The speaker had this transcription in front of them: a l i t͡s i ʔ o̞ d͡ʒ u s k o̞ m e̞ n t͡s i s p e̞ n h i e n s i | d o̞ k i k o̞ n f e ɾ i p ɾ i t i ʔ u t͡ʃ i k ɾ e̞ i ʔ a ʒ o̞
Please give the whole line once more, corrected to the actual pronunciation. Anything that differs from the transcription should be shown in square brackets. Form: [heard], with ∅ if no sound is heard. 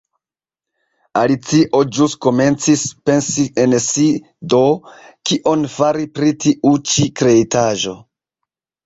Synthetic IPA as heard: a l i t͡s i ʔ o̞ d͡ʒ u s k o̞ m e̞ n t͡s i s p e̞ n [s] i e n s i | d o̞ k i [ʔ] o̞ n f [a] ɾ i p ɾ i t i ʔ u t͡ʃ i k ɾ e̞ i [t] a ʒ o̞